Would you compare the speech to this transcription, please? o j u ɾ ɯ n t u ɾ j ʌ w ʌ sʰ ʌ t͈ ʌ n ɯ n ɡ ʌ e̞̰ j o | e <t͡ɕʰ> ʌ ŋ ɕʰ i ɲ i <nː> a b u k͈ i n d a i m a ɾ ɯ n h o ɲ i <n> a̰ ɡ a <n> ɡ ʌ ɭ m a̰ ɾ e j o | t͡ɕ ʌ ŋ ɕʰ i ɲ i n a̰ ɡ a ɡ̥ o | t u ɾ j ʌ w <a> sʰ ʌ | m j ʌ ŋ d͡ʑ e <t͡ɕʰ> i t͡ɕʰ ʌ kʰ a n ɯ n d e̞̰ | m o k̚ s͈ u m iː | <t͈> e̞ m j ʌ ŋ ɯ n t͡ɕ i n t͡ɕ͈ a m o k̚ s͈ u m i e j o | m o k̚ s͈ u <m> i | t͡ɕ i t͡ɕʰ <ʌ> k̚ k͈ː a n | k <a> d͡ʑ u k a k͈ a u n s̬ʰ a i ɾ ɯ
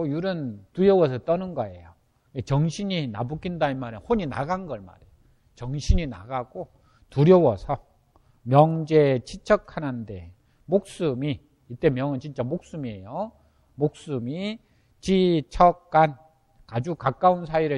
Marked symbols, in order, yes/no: no, no, yes, yes, no, yes, yes, yes, yes, yes

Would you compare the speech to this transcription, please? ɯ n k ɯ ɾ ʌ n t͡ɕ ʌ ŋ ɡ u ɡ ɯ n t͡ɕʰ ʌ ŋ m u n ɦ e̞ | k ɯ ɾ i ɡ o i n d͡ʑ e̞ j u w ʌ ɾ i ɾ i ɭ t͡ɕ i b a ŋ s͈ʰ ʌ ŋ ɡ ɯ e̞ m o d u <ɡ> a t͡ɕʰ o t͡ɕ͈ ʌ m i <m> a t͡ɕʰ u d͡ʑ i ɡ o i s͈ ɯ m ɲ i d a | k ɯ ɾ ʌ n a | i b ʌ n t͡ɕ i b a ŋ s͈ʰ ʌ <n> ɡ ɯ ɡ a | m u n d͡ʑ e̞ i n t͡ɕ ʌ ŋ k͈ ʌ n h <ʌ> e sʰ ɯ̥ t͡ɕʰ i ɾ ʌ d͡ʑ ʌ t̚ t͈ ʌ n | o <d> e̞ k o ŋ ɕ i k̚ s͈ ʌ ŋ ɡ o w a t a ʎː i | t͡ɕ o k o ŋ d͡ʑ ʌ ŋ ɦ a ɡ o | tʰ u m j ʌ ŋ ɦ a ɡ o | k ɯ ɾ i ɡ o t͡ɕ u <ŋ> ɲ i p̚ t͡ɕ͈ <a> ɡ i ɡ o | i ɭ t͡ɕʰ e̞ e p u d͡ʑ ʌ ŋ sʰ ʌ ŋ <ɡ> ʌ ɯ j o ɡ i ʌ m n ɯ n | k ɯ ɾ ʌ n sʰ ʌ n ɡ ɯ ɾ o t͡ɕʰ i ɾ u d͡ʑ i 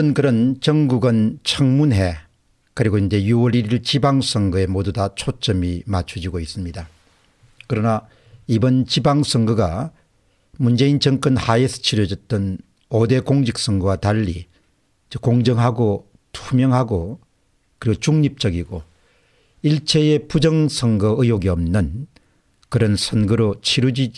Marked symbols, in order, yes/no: no, yes, no, no, yes, yes, no, yes

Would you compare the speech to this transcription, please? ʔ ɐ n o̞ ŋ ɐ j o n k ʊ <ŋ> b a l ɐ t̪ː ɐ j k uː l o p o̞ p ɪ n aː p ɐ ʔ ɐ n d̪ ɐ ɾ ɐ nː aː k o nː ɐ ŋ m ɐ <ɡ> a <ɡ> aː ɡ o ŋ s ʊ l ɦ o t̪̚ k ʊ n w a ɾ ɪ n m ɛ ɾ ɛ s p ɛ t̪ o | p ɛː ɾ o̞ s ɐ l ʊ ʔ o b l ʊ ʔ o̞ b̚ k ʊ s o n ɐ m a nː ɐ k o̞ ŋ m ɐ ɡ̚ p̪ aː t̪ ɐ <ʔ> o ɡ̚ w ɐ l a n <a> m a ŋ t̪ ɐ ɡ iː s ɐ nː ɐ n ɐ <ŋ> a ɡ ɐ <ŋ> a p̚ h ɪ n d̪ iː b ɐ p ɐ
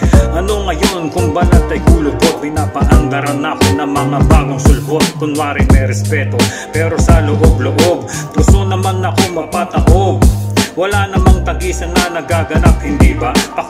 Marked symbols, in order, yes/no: yes, no, no, yes, no, no, no

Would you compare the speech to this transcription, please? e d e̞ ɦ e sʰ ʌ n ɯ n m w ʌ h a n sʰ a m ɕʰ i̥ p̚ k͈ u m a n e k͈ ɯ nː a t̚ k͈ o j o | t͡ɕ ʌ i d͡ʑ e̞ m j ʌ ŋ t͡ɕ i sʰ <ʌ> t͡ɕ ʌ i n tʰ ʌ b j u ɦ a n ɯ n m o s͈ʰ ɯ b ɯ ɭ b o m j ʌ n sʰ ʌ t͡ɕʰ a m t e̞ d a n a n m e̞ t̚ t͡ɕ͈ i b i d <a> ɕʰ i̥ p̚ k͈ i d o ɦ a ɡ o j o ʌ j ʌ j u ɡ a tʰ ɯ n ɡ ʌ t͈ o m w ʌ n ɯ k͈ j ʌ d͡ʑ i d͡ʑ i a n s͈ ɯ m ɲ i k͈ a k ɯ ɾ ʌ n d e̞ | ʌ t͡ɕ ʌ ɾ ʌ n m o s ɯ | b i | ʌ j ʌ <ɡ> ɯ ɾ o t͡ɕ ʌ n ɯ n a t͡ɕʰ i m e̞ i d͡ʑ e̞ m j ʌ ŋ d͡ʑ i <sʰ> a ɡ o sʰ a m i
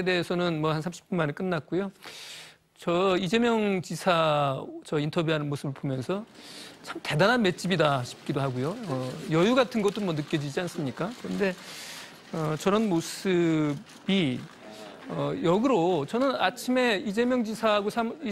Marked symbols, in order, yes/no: no, yes, yes, yes

